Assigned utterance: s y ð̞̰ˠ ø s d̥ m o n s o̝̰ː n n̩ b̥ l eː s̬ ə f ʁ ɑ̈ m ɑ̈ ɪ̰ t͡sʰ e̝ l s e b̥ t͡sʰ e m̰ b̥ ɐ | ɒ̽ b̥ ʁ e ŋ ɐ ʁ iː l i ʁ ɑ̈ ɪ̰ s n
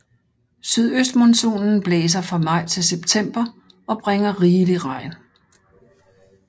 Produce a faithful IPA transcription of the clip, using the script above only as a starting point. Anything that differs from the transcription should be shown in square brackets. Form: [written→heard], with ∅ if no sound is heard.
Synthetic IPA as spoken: s y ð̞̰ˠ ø s d̥ m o n s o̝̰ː n n̩ b̥ l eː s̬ [ə→ɐ] f ʁ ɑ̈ m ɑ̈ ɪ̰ t͡sʰ e̝ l s e b̥ t͡sʰ e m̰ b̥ ɐ | ɒ̽ b̥ ʁ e ŋ ɐ ʁ iː l i ʁ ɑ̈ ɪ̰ [s→∅] n